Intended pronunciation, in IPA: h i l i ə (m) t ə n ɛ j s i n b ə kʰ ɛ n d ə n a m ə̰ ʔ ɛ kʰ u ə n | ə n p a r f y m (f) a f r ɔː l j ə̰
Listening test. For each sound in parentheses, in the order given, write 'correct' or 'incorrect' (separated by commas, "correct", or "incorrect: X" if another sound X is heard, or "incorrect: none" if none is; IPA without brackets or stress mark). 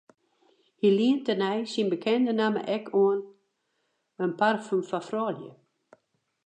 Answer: incorrect: n, correct